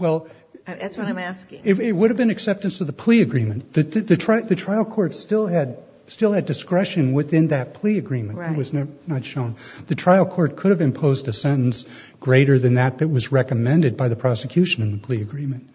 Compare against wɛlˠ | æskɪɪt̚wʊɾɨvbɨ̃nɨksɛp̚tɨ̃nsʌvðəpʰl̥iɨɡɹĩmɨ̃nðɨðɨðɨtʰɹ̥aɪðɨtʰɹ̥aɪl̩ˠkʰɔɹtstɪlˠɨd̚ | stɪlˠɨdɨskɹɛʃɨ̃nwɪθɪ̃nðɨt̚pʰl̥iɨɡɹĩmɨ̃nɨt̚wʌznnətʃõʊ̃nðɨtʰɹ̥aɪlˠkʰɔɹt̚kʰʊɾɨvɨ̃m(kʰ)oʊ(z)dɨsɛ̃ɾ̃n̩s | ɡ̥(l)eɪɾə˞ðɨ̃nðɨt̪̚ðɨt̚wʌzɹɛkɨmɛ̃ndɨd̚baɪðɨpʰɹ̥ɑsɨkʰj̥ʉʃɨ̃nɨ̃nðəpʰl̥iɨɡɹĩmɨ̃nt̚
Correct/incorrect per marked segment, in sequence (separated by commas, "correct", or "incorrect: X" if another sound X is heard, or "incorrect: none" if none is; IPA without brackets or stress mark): incorrect: pʰ, correct, incorrect: ɹ